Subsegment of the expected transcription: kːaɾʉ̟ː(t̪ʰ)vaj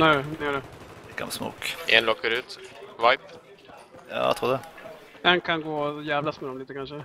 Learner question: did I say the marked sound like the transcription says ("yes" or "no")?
no